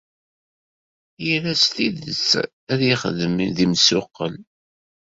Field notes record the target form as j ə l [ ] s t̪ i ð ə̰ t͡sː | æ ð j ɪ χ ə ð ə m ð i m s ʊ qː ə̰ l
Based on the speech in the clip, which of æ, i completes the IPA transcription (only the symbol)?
æ